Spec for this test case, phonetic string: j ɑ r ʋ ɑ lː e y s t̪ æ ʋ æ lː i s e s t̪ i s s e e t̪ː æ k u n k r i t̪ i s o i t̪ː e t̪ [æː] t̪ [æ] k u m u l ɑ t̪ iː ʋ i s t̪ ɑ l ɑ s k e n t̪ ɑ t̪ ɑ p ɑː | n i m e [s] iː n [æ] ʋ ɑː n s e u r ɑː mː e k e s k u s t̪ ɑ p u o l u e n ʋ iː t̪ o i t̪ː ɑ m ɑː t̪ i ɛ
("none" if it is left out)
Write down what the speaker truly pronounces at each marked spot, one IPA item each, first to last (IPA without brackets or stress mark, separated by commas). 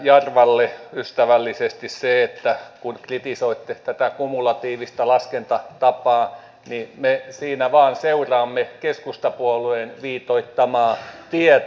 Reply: æ, æ, s, æ